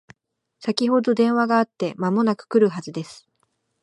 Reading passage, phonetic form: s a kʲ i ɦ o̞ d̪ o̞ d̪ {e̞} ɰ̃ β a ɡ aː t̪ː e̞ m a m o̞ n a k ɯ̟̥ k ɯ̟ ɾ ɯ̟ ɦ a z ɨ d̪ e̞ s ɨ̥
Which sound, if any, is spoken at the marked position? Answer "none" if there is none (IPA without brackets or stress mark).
ẽ̞